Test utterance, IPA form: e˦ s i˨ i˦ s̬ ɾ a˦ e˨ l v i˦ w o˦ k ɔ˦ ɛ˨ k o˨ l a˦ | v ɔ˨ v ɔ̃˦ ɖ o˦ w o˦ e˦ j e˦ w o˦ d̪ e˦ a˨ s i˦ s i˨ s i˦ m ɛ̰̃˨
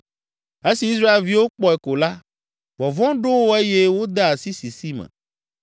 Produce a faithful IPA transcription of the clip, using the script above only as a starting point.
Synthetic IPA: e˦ s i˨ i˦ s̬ ɾ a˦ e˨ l v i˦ w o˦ k͡p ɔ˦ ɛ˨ k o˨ l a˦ | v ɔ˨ v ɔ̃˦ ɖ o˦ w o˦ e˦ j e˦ w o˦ d̪ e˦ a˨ s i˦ s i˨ s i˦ m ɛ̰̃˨

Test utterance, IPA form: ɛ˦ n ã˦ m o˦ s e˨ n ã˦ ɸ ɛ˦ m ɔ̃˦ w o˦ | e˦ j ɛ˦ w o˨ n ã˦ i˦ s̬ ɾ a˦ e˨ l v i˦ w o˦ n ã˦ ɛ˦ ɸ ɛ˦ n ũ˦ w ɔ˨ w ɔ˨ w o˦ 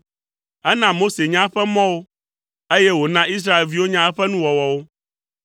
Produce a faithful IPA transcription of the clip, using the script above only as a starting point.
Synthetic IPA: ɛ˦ n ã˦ m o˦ s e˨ ɲ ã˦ ɸ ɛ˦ m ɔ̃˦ w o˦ | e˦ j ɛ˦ w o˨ n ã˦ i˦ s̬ ɾ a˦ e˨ l v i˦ w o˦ ɲ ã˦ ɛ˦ ɸ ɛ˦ n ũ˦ w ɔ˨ w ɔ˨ w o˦

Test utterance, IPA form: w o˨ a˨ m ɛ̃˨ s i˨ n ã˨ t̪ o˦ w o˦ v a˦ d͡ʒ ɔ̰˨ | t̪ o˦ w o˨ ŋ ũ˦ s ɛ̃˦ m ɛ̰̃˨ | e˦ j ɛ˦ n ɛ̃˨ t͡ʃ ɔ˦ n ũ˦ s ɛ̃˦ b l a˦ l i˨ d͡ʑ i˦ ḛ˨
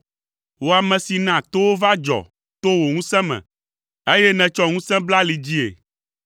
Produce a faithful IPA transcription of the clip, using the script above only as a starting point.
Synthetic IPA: w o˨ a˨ m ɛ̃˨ s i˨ n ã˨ t̪ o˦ w o˦ v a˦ d͡ʒ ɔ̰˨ | t̪ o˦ w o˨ ŋ ũ˦ s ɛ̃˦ m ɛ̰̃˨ | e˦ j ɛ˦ n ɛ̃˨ t͡ʃ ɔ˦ ŋ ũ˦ s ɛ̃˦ b l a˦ l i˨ d͡ʑ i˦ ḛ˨

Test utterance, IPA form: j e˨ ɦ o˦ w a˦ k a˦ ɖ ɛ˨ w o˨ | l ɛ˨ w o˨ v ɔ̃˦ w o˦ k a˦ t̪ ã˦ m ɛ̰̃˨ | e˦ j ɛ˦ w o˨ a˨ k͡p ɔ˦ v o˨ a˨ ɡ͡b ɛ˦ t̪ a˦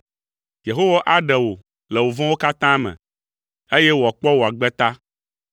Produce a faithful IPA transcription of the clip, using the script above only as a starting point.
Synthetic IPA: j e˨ ɦ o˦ w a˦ ʔ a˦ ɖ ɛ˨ w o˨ | l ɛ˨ w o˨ v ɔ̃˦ w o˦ k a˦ t̪ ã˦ m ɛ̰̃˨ | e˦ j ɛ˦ w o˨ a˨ k͡p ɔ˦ w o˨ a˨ ɡ͡b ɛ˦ t̪ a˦

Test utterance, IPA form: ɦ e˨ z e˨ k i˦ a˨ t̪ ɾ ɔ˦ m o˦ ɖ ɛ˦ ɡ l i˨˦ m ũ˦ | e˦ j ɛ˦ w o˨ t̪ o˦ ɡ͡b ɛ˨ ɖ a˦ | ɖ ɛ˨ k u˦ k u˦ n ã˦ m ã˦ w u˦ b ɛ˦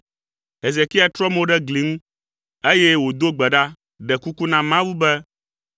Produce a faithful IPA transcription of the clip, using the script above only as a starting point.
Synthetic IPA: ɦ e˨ z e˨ k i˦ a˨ t̪ ɾ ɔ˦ m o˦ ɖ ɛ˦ ɡ l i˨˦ ŋ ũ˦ | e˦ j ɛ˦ w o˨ d̪ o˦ ɡ͡b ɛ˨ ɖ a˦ | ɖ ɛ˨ k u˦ k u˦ n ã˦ m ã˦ w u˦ b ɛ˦

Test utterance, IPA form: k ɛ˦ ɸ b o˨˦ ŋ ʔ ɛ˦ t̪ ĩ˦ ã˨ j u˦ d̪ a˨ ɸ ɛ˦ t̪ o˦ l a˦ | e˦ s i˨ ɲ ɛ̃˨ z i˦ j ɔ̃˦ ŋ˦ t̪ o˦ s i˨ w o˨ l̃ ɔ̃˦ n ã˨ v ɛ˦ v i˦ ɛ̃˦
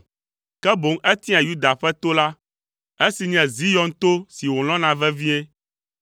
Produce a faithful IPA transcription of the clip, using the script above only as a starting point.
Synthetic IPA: k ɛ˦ b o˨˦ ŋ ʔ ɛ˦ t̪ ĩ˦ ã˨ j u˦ d̪ a˨ ɸ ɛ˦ t̪ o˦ l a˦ | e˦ s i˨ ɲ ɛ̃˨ z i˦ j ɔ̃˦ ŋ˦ t̪ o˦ s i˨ w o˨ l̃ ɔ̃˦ n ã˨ v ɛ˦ v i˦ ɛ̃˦

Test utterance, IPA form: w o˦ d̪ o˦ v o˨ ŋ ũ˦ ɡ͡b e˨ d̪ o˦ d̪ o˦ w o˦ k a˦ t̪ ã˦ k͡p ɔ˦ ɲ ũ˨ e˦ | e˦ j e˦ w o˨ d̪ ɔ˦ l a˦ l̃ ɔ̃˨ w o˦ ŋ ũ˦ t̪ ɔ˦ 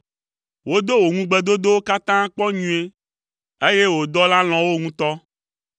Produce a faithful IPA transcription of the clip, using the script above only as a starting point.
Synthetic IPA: w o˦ d̪ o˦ w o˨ ŋ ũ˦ ɡ͡b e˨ d̪ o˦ d̪ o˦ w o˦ k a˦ t̪ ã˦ k͡p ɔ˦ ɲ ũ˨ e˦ | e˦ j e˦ w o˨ d̪ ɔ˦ l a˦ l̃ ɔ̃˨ w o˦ ŋ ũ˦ t̪ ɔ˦

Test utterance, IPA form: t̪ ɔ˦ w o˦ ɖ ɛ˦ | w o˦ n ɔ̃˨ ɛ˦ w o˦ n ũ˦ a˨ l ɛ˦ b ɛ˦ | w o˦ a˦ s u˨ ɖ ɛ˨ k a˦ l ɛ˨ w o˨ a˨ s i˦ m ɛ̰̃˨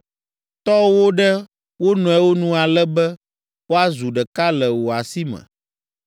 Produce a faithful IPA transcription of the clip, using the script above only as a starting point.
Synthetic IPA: t̪ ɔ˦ w o˦ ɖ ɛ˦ | w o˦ n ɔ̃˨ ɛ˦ w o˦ n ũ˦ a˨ l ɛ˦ b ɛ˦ | w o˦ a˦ z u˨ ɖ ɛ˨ k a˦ l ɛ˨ w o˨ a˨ s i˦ m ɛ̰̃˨

